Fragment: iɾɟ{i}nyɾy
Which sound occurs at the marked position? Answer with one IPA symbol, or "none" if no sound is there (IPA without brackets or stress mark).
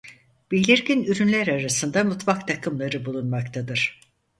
i